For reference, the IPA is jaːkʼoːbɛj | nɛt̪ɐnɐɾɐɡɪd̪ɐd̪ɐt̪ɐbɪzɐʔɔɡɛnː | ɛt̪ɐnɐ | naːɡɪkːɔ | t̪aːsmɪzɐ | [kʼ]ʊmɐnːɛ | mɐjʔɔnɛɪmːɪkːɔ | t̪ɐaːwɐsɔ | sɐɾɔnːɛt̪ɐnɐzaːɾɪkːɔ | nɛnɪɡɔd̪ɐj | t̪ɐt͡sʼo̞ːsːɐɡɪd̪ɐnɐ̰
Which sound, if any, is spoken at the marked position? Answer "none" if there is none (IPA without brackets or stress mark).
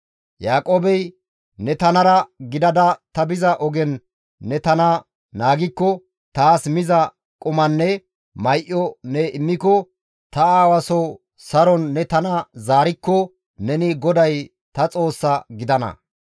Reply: kʼ